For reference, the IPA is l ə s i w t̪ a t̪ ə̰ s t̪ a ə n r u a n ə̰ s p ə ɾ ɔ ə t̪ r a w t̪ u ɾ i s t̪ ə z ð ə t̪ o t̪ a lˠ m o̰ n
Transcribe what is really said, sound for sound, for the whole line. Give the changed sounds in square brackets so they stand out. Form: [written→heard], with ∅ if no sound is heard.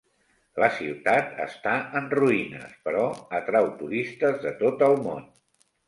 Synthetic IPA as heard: l ə s i w t̪ a t̪ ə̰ s t̪ a ə n r u [a→i] n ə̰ s p ə ɾ ɔ ə t̪ [r→ɾ] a w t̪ u ɾ i s t̪ ə z ð ə t̪ o t̪ [a→ə] lˠ m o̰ n